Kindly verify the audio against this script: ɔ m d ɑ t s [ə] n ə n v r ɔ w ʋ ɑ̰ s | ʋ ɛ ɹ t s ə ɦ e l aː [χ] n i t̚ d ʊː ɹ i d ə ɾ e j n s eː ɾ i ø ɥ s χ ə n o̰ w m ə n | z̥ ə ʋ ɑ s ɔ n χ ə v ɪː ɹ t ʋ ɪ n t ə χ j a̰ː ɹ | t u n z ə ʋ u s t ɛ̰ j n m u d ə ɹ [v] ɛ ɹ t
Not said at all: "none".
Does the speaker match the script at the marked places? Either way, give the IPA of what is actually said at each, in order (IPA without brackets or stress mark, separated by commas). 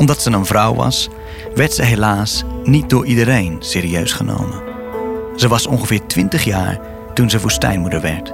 ə, s, ʋ